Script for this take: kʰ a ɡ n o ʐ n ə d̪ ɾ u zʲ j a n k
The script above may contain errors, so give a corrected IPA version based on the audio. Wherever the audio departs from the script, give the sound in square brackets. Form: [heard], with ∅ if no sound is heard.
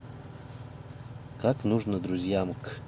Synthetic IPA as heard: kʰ a [k] n [u] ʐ n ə d̪ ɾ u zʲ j a [m] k